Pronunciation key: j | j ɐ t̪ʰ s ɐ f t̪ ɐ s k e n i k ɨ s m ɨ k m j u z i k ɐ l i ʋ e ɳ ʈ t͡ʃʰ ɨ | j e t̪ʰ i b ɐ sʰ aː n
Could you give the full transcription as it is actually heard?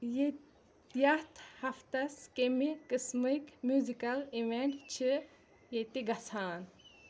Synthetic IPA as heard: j | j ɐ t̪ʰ h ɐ f t̪ ɐ s k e m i k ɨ s m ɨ k m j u z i k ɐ l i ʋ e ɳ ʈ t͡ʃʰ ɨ | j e t̪ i ɡ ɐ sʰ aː n

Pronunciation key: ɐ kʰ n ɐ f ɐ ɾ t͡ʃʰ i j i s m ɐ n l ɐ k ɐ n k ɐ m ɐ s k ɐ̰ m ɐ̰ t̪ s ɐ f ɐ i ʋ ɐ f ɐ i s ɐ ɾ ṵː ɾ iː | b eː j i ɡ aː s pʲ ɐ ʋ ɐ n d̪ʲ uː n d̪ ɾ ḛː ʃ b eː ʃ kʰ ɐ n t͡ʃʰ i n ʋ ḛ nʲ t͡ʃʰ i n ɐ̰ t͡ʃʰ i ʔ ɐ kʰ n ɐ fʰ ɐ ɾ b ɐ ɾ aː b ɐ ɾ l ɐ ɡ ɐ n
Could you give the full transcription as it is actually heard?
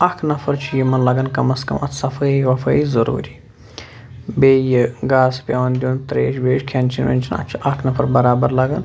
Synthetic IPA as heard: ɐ kʰ n ɐ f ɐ ɾ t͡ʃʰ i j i m ɐ n l ɐ ɡ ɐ n k ɐ m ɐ s k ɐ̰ m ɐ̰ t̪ s ɐ f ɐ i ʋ ɐ f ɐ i z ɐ ɾ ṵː ɾ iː | b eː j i ɡ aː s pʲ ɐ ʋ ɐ n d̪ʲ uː n t̪ ɾ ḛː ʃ b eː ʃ kʰ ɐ n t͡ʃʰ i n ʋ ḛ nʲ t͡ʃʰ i n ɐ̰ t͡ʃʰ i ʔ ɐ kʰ n ɐ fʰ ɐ ɾ b ɐ ɾ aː b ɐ ɾ l ɐ ɡ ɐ n

